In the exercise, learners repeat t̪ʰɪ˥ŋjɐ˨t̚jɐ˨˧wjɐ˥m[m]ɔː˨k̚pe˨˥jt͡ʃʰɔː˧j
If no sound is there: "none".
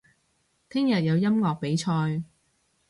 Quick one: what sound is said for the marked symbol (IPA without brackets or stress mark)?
ŋ